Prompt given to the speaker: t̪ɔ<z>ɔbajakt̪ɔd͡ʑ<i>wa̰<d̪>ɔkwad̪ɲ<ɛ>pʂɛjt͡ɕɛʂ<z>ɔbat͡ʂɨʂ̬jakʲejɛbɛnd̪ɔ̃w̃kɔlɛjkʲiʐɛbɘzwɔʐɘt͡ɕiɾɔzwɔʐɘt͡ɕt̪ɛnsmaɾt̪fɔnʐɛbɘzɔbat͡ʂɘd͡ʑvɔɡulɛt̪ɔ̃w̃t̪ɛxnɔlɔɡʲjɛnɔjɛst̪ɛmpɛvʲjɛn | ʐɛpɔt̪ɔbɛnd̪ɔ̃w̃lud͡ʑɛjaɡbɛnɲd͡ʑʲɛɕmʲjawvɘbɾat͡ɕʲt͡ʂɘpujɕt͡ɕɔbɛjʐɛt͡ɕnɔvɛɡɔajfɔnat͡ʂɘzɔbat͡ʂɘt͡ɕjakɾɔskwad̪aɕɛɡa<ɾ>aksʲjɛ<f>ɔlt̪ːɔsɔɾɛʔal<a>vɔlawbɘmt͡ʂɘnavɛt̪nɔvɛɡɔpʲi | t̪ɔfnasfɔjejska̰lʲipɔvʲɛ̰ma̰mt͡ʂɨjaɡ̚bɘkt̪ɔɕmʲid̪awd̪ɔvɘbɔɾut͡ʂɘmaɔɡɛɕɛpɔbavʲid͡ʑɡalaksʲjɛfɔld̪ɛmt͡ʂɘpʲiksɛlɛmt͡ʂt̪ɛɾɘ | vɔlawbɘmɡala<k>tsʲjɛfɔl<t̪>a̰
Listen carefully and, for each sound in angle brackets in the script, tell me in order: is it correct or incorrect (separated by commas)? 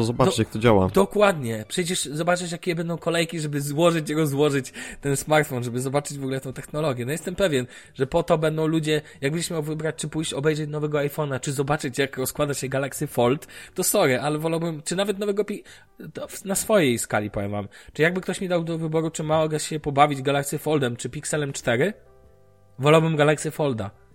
correct, incorrect, correct, correct, correct, incorrect, correct, incorrect, correct, incorrect